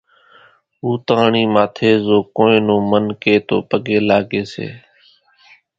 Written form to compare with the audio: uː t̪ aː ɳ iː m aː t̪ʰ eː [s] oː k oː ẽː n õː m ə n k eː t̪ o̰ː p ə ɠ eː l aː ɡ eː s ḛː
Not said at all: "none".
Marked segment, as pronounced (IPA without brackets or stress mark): z